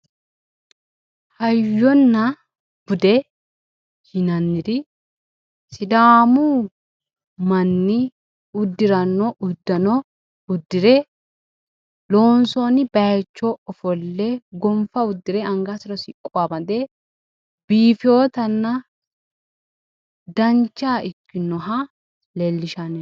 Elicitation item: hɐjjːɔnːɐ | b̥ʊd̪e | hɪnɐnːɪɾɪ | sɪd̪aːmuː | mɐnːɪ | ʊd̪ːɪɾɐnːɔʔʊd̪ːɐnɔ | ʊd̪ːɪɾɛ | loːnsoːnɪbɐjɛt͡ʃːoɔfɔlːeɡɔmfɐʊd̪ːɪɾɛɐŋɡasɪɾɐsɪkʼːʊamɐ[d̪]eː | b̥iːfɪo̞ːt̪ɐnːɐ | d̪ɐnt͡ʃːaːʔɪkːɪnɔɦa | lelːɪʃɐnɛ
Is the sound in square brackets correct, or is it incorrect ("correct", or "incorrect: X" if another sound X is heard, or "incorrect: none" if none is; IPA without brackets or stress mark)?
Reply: correct